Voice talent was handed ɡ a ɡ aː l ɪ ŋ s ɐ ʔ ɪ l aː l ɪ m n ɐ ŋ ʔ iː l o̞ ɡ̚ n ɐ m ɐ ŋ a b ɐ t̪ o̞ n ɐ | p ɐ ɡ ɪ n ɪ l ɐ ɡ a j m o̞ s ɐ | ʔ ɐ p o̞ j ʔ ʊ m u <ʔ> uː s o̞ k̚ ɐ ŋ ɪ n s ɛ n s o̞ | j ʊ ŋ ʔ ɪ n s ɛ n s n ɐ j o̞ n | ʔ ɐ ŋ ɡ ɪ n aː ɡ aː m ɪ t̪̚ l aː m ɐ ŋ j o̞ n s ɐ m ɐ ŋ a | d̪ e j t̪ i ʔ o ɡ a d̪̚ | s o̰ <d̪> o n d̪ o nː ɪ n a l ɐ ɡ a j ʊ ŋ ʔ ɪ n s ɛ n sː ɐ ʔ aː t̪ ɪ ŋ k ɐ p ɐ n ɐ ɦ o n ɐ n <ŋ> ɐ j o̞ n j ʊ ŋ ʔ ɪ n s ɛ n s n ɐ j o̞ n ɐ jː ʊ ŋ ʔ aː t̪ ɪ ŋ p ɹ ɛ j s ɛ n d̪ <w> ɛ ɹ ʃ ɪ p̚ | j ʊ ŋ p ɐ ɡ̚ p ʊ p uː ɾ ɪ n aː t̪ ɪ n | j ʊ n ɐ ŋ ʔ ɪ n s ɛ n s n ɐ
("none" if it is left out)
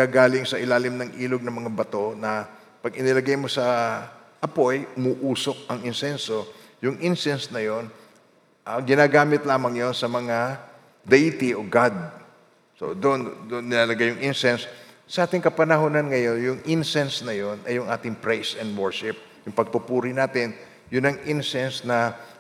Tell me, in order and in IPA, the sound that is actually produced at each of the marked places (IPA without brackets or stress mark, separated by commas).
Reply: ʔ, d̪, ŋ, w